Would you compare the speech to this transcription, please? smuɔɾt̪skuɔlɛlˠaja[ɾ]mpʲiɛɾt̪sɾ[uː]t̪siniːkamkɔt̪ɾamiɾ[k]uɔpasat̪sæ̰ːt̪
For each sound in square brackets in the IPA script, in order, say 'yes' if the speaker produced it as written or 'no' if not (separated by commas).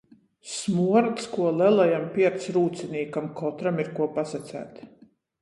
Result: no, yes, yes